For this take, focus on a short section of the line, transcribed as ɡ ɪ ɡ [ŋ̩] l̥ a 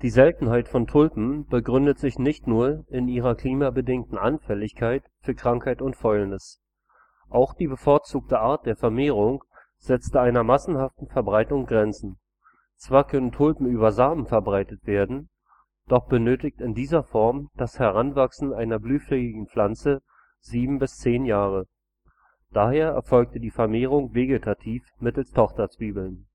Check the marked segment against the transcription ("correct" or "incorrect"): correct